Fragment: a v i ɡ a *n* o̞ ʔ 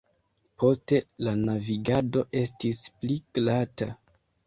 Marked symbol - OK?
no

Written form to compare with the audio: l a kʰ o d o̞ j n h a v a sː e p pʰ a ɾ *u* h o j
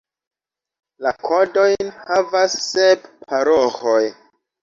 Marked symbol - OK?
no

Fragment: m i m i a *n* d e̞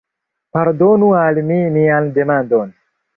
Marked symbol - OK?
yes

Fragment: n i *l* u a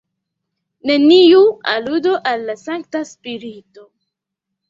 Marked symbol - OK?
no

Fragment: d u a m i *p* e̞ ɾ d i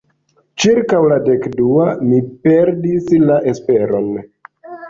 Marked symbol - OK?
yes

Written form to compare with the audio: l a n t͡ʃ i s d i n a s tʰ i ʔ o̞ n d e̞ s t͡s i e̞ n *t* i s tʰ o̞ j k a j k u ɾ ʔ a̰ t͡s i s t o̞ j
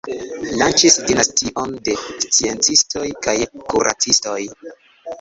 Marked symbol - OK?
no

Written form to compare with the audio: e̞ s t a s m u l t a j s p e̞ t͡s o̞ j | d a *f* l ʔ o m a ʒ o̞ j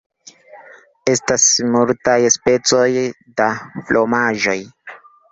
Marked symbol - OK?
yes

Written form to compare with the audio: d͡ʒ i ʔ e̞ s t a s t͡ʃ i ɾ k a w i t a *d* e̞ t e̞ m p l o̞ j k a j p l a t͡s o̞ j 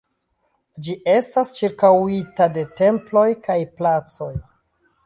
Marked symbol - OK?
yes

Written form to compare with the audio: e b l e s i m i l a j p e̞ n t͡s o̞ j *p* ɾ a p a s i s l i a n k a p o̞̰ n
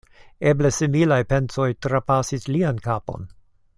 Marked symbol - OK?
no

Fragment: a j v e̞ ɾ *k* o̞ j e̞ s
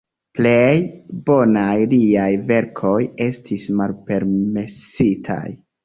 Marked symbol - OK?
no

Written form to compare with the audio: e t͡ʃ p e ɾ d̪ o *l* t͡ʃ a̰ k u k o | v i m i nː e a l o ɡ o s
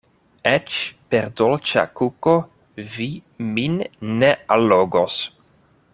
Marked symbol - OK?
yes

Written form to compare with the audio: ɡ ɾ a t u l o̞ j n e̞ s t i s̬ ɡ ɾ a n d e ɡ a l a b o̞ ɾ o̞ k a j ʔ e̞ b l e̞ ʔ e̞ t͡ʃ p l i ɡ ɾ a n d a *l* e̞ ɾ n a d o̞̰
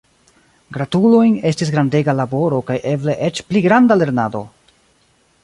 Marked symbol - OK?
yes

